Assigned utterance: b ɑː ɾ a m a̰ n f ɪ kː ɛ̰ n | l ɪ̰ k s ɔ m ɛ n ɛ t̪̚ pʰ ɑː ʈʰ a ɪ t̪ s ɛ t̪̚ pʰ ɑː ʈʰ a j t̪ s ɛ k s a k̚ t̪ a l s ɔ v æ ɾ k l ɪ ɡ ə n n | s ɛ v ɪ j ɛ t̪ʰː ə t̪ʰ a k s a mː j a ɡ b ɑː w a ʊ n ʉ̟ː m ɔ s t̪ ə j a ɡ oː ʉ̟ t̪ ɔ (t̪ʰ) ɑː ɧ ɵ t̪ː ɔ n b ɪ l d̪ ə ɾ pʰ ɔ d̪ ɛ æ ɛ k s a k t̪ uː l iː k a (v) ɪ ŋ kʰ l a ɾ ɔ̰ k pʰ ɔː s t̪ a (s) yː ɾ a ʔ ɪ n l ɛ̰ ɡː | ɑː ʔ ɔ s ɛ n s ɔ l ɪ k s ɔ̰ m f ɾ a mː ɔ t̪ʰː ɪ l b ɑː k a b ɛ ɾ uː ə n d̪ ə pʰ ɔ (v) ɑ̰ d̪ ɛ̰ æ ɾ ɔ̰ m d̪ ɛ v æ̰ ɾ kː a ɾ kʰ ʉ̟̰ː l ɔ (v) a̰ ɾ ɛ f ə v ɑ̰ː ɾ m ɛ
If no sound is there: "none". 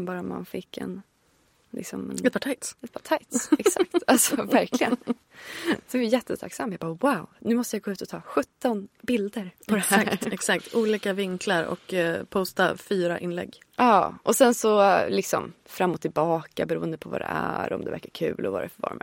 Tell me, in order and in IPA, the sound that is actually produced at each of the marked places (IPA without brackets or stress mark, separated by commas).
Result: t̪ʰ, v, f, v, v